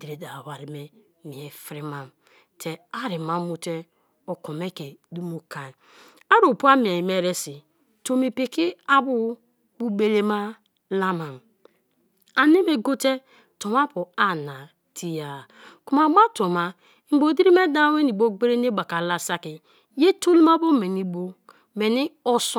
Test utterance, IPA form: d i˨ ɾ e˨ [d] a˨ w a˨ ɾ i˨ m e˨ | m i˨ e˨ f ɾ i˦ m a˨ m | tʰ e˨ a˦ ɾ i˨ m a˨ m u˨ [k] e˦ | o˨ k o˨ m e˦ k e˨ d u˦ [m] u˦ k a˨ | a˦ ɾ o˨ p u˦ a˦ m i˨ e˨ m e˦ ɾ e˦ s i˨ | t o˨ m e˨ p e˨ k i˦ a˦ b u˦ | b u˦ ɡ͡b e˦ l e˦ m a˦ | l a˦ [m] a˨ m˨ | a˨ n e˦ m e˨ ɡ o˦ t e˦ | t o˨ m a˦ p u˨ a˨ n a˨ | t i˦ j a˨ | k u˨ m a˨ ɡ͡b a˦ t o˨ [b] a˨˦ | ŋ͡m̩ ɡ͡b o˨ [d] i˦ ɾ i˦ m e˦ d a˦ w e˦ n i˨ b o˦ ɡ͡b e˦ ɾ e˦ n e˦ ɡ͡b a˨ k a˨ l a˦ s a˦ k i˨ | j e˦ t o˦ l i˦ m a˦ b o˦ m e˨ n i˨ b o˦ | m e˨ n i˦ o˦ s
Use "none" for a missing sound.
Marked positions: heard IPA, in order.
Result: d, t, m, m, m, d

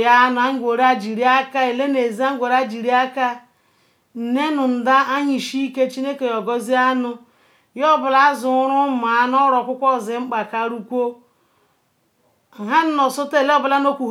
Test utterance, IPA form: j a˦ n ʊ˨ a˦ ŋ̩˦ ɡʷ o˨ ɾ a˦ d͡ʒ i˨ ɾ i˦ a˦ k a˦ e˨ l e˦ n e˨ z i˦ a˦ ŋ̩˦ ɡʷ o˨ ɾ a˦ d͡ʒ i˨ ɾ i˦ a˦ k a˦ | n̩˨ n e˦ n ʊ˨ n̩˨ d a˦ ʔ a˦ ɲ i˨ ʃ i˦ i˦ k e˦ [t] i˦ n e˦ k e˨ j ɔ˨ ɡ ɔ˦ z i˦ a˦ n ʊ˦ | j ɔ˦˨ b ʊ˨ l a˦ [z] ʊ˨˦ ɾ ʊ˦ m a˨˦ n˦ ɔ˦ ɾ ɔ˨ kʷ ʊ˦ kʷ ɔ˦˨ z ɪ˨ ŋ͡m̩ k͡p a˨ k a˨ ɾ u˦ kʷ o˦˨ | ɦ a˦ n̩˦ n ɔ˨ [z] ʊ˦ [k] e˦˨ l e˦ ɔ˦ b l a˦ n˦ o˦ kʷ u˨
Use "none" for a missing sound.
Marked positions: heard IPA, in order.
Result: t͡ʃ, z, s, t

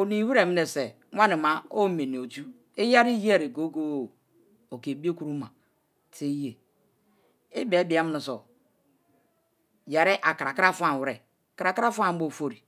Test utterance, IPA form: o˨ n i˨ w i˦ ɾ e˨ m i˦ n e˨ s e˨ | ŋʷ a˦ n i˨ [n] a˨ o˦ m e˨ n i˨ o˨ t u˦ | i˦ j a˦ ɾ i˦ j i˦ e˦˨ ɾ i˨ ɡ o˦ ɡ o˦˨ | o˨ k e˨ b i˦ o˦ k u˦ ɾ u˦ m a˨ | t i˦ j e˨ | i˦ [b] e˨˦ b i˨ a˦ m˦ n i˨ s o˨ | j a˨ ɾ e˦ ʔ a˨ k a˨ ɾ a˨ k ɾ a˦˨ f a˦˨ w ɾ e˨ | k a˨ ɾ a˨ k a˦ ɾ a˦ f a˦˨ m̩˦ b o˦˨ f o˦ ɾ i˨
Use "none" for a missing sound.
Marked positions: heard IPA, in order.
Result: m, b

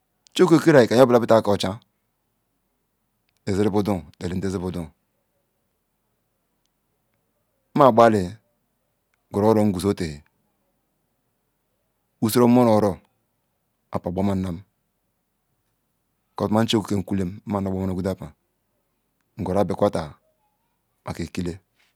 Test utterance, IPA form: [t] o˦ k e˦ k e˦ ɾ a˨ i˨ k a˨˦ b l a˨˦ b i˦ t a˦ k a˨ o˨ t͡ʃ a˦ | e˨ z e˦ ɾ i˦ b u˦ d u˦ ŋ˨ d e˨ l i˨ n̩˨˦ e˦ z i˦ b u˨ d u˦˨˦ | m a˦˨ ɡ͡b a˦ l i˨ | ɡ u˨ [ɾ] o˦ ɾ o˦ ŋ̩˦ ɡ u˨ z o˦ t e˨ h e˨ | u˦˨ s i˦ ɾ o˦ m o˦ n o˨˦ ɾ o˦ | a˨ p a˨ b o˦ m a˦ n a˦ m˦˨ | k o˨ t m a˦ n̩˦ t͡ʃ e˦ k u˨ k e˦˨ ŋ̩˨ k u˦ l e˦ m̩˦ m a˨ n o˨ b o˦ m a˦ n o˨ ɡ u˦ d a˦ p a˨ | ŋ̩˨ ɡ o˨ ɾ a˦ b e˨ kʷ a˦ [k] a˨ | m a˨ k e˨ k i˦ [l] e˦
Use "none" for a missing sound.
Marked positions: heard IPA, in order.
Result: t͡ʃ, ɾ, t, l

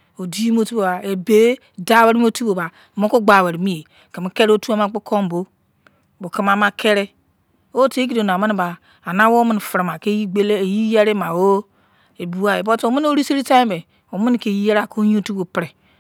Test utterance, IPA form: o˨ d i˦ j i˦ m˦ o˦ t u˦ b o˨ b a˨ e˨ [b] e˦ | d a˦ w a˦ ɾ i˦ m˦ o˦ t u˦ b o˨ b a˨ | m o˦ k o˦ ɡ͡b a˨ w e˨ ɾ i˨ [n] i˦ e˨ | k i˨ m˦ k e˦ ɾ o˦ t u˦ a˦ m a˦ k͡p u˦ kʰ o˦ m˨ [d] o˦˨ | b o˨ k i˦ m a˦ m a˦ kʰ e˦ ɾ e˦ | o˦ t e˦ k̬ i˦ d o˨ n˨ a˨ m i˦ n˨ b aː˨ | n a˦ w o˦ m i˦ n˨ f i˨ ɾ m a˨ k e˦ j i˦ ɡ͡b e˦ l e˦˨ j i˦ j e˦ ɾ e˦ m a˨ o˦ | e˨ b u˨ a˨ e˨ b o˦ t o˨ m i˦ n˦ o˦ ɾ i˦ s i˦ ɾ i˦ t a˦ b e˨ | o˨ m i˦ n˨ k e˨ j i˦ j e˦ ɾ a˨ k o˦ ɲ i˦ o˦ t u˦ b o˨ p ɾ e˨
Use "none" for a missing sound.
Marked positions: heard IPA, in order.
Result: b, m, b

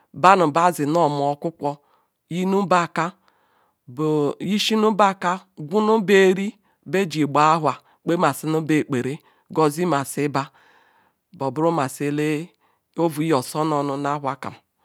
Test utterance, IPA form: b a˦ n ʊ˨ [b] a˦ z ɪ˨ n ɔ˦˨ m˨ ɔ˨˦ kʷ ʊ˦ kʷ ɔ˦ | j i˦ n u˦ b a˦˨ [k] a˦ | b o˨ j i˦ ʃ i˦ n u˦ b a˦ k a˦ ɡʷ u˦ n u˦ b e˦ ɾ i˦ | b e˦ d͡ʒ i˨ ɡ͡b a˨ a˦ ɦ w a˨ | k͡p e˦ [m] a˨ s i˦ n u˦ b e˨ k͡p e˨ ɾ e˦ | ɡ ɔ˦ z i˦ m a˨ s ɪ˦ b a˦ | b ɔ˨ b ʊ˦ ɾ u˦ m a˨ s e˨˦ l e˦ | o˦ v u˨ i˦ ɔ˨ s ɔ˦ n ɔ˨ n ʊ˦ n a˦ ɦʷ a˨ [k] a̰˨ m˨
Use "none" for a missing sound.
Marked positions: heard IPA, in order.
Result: b, k, m, k

